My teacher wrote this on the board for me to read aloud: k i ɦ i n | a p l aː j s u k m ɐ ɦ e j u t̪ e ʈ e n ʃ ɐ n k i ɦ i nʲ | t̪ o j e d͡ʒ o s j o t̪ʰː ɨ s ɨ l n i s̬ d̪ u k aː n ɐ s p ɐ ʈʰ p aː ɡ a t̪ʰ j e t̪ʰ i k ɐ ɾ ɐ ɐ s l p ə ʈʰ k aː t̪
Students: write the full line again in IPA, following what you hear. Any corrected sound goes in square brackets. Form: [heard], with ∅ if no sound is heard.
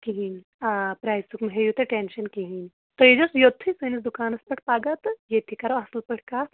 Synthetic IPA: k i ɦ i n | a p [ɾ] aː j s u k m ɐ ɦ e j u t̪ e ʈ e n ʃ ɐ n k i ɦ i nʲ | t̪ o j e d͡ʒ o s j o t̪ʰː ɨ s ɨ [∅] n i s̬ d̪ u k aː n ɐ s p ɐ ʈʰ p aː ɡ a [t̪] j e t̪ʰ i k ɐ ɾ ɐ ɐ s l p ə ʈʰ k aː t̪